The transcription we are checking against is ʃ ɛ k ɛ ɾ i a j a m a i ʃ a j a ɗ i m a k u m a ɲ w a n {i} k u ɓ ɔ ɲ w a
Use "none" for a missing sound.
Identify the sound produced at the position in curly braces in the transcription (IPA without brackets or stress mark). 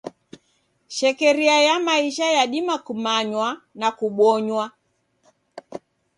a